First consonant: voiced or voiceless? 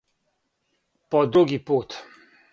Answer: voiceless